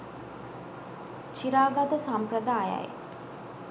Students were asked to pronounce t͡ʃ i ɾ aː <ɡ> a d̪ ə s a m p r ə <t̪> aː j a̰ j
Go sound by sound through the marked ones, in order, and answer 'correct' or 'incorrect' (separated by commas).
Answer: correct, incorrect